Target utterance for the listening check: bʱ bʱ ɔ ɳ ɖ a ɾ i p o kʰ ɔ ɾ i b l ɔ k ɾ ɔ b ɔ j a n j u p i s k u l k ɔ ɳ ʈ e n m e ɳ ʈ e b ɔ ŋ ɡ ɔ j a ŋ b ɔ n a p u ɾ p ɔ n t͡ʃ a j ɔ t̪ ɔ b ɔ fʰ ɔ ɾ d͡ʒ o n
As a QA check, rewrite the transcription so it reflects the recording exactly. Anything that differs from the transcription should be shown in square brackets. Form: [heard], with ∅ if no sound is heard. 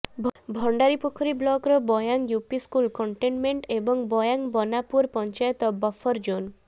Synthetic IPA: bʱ bʱ ɔ ɳ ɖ a ɾ i p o kʰ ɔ ɾ i b l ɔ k ɾ ɔ b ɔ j a [ŋ] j u p i s k u l k ɔ ɳ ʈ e n m e ɳ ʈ e b ɔ ŋ [b] ɔ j a ŋ b ɔ n a p u ɾ p ɔ n t͡ʃ a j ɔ t̪ ɔ b ɔ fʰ ɔ ɾ d͡ʒ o n